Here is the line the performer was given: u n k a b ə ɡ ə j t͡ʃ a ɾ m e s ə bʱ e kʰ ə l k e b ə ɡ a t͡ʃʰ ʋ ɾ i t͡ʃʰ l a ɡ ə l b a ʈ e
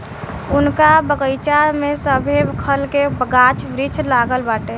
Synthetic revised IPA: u n k a b ə ɡ ə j t͡ʃ a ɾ m e s ə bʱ e kʰ ə l k e b ə ɡ a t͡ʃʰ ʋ ɾ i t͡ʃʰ l a ɡ ə l b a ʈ e